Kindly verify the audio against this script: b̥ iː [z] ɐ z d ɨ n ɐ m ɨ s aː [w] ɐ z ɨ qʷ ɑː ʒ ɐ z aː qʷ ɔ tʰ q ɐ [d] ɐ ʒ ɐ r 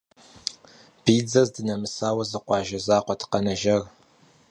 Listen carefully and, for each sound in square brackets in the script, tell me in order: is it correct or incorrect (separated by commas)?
incorrect, correct, incorrect